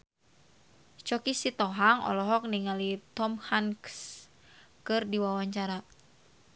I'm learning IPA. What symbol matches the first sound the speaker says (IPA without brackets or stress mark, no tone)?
t͡ʃ